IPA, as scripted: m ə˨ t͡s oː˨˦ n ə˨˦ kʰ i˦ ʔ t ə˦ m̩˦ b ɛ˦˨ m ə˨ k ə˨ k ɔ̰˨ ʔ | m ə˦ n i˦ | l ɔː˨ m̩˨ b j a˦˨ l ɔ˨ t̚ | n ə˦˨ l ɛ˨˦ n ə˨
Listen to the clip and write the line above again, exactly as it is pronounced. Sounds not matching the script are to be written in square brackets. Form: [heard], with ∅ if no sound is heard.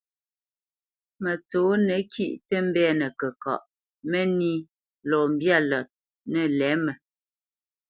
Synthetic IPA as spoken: m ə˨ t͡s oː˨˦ n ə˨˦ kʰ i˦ ʔ t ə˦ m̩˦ b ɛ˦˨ [n] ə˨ k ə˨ k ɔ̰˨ ʔ | m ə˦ n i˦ | l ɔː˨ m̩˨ b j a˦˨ l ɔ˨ t̚ | n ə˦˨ l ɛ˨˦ [m] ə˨